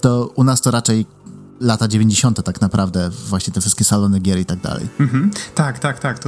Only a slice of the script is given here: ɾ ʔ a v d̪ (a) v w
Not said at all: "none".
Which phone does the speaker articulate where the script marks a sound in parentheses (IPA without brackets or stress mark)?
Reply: ɛ